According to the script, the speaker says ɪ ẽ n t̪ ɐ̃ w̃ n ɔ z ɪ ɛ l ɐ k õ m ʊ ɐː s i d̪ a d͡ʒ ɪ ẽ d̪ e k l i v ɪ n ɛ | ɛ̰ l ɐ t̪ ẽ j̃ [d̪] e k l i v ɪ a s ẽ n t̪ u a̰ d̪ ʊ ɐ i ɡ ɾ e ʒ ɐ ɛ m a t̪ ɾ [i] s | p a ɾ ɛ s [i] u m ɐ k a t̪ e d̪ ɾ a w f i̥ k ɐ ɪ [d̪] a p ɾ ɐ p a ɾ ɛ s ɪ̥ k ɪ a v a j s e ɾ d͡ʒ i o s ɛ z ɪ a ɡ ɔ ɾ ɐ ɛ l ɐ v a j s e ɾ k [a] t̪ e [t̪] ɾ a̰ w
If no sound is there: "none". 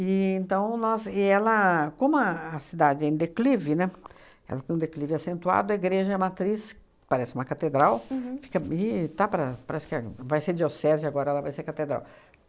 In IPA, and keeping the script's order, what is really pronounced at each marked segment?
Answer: d̪, i, ɪ, t̪, a, d̪

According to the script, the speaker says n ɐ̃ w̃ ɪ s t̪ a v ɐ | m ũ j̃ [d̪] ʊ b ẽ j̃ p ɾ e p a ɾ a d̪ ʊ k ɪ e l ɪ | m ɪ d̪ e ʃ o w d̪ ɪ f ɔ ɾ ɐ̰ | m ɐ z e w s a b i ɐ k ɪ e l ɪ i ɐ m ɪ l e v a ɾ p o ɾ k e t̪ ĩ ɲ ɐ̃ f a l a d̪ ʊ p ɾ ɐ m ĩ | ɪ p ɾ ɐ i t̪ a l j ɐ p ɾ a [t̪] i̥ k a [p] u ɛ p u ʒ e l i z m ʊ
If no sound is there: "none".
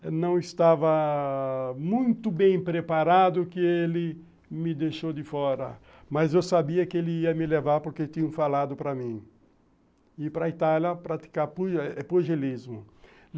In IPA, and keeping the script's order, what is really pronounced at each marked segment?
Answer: t̪, t̪, p

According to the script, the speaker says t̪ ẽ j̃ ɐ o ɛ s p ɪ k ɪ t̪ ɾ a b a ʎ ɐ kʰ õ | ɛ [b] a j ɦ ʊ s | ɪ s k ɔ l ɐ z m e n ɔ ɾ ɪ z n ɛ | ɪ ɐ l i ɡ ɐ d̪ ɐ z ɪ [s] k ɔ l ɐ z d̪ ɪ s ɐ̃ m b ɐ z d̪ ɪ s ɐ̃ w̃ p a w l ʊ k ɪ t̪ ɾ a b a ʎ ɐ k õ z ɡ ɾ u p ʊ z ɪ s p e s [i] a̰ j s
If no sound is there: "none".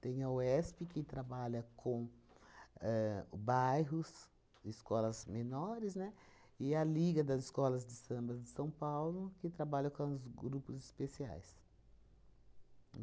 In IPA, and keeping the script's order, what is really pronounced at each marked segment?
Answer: b, s, i

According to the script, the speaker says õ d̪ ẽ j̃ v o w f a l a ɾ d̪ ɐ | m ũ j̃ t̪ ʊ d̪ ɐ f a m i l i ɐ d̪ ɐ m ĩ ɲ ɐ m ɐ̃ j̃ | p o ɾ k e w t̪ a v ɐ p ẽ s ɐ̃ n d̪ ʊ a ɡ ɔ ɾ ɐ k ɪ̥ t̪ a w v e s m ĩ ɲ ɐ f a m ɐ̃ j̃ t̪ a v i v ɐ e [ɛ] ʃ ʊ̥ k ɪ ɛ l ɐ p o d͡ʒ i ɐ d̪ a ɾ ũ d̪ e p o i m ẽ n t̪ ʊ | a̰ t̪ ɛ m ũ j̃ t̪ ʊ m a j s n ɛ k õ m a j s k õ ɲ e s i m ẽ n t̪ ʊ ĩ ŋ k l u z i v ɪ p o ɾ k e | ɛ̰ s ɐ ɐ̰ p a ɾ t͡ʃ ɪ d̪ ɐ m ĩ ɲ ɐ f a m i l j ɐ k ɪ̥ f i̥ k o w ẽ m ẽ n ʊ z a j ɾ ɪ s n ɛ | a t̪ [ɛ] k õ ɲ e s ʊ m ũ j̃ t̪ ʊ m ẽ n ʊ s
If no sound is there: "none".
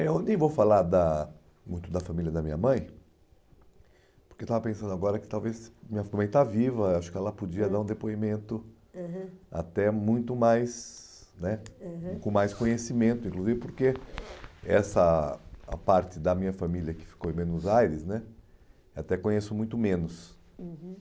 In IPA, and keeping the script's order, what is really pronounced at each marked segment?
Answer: a, ɛ

